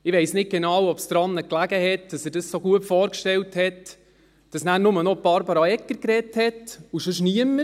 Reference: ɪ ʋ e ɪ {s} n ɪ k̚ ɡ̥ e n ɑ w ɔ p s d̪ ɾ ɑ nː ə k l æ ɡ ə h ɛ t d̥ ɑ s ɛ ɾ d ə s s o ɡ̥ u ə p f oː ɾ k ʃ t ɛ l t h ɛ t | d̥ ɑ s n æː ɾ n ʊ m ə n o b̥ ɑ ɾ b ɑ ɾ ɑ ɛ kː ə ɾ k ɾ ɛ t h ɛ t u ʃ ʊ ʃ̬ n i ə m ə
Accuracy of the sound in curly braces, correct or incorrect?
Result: correct